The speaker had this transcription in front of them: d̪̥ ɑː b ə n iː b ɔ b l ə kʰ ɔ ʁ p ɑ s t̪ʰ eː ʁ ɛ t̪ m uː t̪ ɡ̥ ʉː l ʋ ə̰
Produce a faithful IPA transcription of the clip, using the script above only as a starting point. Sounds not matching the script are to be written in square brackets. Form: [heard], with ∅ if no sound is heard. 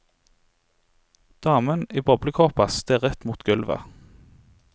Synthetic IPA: d̪̥ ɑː [m] ə n iː b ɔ b l ə kʰ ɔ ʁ p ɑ s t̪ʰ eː ʁ ɛ t̪ m uː t̪ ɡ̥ [ʉ] l ʋ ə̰